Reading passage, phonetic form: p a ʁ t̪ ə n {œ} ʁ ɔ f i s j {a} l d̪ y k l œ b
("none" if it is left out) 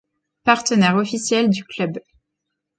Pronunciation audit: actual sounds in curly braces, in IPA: ɛ, ɛ

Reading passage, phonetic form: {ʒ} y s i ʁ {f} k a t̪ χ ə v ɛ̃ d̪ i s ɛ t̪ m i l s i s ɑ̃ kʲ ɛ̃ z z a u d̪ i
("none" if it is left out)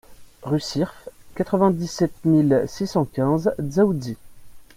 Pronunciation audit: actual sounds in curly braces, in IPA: ʁ, f

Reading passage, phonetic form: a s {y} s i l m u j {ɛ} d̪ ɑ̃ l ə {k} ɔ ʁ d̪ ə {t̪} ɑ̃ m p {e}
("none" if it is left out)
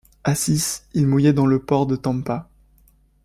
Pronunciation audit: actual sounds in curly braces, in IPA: i, ɛ, p, t̪, a

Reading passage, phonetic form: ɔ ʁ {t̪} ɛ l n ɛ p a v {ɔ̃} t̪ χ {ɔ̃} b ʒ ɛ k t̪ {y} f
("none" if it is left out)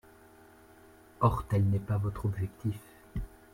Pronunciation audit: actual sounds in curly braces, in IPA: t̪, ɔ, ɔ, i

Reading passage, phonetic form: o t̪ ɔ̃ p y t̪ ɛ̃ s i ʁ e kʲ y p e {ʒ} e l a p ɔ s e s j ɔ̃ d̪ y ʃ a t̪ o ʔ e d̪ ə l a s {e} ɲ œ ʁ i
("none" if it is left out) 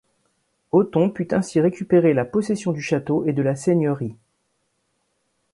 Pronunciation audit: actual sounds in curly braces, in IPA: ʁ, e

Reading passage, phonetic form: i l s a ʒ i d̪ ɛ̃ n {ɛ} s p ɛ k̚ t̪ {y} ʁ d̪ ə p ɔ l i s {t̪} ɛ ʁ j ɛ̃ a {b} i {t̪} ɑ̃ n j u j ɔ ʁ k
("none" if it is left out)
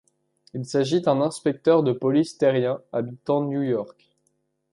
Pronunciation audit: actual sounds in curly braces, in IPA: ɛ̃, œ, t̪, b, t̪

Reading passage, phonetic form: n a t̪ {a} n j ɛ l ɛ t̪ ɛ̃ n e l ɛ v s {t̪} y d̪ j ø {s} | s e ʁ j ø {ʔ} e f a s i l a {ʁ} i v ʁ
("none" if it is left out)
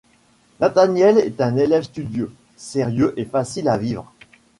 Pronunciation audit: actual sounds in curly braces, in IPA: a, t̪, none, ʔ, v

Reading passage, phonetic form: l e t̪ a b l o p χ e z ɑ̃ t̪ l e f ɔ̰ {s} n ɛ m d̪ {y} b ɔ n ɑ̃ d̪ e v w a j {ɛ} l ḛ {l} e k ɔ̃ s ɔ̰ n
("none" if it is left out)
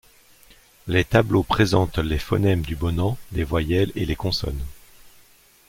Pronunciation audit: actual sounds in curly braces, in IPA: none, y, ɛ, l

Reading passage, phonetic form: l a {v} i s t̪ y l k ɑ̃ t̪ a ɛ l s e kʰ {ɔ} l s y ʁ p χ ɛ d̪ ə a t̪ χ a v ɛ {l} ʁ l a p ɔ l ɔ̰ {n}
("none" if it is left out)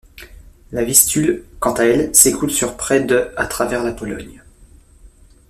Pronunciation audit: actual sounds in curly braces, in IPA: v, u, none, ɲ

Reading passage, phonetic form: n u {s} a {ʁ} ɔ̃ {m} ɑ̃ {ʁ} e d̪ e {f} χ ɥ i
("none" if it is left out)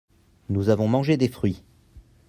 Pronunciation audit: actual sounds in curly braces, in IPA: z, v, m, ʒ, f

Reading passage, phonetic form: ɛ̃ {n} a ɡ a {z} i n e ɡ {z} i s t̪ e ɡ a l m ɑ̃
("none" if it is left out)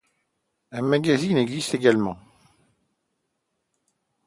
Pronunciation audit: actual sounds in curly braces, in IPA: m, z, z

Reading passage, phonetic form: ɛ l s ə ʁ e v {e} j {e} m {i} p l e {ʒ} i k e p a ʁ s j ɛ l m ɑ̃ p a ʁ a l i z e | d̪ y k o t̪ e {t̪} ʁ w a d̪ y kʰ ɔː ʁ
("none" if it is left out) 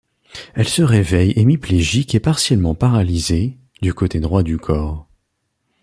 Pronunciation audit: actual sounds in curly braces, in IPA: ɛ, e, i, ʒ, d̪

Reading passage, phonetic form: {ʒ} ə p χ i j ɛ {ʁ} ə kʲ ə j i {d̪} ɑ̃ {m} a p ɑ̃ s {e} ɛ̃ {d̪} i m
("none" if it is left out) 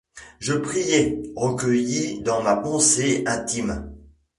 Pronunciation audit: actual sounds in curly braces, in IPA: ʒ, ʁ, d̪, m, e, t̪

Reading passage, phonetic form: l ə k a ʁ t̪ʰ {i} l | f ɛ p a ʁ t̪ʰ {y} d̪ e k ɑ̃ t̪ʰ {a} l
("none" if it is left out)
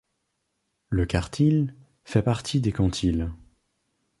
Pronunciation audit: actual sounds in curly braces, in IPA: i, i, i

